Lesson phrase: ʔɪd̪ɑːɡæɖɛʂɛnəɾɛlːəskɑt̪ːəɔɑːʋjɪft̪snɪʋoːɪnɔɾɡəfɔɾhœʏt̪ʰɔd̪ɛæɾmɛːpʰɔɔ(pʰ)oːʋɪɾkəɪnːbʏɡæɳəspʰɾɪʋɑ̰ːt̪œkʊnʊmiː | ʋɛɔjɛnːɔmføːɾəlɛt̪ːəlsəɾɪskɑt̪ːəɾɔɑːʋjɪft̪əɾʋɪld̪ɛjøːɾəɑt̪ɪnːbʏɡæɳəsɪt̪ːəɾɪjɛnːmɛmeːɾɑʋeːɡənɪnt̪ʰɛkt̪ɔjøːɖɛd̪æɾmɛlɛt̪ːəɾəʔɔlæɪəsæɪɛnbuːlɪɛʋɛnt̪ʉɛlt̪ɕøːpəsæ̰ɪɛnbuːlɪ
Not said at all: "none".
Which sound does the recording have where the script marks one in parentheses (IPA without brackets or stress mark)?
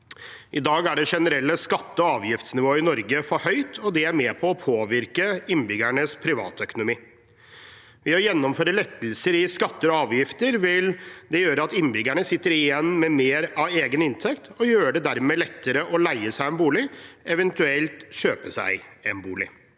pʰ